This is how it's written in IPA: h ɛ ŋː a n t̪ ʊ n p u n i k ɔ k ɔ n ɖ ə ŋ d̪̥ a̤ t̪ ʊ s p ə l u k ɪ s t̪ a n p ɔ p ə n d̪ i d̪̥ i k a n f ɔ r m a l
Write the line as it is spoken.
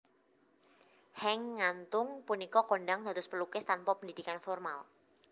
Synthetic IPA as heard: h ɛ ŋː a n t̪ ʊ ŋ p u n i k ɔ k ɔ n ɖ a ŋ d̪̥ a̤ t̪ ʊ s p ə l u k ɪ s t̪ a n p ɔ p ə n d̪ i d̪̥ i k a n f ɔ r m a l